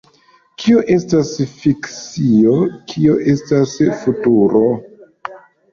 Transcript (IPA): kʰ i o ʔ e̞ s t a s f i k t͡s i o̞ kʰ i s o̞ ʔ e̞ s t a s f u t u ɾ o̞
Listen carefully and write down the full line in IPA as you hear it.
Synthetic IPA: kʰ i o ʔ e̞ s t a s f i k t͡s i o̞ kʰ i o̞ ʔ e̞ s t a s f u t u ɾ o̞